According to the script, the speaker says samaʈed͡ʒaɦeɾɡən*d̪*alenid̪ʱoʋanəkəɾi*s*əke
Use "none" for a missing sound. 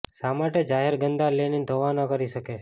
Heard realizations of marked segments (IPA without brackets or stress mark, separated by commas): d̪, ʃ